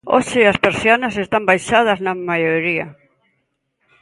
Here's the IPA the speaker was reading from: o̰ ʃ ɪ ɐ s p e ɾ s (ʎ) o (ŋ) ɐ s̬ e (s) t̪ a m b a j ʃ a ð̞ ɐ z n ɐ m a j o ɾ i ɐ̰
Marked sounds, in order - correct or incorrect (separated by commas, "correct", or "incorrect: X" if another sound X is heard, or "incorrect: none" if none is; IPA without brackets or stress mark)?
incorrect: j, incorrect: n, correct